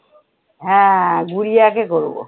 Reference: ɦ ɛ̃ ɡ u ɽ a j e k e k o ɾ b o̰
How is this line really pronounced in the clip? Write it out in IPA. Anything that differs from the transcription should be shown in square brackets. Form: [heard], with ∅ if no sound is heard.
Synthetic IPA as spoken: ɦ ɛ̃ ɡ u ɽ [i] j [a] k e k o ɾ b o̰

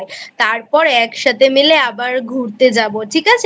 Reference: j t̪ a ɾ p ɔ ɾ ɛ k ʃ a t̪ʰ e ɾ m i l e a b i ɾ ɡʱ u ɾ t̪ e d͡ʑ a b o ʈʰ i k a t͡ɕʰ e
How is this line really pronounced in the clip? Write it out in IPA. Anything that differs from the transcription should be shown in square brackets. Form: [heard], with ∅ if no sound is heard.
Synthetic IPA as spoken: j t̪ a ɾ p ɔ ɾ ɛ k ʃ a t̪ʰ e [∅] m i l e a b [a] ɾ ɡʱ u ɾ t̪ e d͡ʑ a b o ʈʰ i k a t͡ɕʰ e

